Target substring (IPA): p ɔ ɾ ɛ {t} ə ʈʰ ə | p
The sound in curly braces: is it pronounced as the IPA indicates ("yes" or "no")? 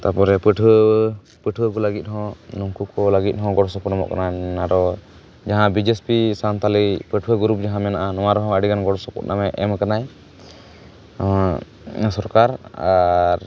no